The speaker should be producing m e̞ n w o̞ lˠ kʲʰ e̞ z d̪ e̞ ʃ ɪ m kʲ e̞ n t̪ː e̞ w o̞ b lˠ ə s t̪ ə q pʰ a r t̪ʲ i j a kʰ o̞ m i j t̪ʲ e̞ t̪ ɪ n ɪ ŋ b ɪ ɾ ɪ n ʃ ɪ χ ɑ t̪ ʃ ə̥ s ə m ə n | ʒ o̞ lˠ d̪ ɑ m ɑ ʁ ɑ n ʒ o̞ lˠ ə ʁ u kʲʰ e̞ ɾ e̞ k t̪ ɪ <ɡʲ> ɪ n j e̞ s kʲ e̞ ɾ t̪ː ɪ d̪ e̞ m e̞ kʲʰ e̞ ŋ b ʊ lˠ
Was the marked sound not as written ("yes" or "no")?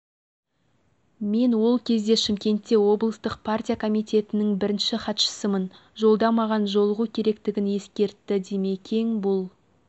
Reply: no